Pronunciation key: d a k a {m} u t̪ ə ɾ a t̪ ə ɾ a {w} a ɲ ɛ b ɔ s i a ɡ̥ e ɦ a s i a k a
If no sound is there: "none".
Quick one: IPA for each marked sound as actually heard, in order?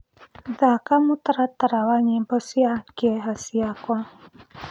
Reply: m, w

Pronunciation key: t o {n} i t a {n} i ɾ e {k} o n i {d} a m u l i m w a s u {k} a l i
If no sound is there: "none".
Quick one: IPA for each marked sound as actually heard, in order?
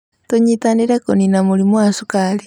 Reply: ɲ, n, k, n, k

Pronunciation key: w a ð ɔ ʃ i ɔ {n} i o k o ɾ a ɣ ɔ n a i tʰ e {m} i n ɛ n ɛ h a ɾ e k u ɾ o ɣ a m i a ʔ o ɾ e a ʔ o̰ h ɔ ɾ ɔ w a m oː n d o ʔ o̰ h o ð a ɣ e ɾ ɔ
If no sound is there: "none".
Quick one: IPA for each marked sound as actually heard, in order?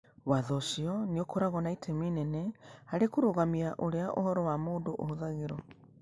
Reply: n, m

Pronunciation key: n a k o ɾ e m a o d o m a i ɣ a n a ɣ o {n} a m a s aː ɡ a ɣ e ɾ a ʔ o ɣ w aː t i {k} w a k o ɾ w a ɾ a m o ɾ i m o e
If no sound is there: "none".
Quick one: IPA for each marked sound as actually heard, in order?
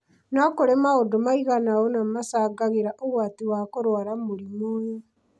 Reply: n, none

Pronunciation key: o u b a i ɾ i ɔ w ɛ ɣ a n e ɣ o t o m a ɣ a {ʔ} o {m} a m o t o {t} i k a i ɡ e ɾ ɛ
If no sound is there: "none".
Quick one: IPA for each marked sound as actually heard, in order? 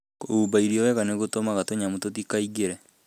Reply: t, ɲ, t

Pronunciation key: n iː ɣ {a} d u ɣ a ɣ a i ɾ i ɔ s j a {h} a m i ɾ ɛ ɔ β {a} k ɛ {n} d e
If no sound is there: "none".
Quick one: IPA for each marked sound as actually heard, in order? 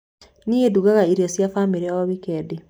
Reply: e, f, i, none

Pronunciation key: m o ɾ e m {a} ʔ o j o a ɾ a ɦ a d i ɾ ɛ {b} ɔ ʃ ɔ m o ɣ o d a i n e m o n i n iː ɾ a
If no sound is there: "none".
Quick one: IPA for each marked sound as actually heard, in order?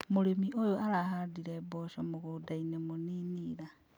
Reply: i, b

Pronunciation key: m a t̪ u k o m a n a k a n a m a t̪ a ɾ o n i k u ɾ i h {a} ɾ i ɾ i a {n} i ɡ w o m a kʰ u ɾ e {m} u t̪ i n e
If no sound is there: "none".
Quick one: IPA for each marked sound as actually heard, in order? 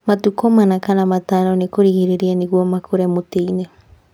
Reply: i, n, m

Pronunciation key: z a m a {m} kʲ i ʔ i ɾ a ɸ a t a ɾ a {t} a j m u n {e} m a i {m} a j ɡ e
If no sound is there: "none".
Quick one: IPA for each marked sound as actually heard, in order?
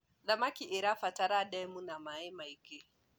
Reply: none, d, a, m

